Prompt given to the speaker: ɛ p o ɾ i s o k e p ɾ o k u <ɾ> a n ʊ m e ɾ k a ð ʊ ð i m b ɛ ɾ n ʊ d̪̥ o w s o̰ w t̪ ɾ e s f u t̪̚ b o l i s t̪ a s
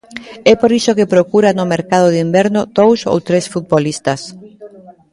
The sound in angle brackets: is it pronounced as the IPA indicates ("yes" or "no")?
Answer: yes